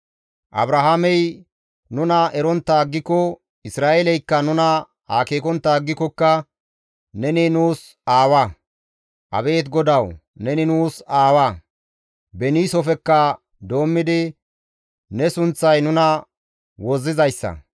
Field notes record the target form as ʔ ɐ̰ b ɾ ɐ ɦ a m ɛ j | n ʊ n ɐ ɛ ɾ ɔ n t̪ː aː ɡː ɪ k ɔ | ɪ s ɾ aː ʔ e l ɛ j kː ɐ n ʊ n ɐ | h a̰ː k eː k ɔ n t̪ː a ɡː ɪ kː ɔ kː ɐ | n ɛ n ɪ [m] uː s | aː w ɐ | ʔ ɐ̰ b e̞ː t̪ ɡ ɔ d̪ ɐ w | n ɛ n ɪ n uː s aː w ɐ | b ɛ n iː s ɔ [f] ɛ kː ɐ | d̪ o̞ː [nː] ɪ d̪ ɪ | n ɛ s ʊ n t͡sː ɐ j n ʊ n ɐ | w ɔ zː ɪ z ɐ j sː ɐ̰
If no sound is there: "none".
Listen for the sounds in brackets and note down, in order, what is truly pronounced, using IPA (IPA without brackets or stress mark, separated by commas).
n, f, mː